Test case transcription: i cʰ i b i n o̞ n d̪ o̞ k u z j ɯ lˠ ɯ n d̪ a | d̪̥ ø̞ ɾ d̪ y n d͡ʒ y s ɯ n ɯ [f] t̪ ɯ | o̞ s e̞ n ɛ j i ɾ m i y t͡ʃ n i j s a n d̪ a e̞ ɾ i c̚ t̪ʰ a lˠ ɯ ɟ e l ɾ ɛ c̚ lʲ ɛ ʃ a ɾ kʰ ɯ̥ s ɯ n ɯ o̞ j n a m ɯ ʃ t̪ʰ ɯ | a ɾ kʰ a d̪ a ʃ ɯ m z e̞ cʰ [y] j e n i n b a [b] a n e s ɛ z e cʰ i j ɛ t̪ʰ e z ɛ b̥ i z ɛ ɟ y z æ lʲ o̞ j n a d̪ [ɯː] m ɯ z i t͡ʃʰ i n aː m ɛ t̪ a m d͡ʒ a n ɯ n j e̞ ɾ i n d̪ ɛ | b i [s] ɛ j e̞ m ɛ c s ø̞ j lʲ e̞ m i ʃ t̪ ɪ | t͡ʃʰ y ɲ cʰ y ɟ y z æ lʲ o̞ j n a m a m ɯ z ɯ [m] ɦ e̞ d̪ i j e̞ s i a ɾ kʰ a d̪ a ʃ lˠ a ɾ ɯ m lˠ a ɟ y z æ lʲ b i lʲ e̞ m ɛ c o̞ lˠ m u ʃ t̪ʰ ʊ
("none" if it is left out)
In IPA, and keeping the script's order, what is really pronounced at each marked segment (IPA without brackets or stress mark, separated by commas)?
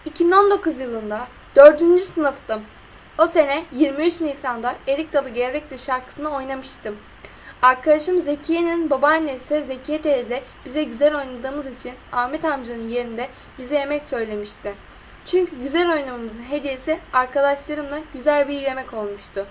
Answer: f, i, b, ɯː, z, n